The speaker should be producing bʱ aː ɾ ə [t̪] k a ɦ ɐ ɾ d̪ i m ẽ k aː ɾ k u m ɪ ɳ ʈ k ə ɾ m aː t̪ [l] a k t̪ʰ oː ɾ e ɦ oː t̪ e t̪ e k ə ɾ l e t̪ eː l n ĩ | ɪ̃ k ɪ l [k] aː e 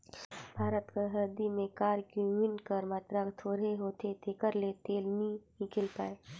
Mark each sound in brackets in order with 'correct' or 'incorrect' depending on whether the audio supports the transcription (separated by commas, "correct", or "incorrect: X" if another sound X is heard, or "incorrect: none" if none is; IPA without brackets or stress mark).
correct, incorrect: ɾ, incorrect: p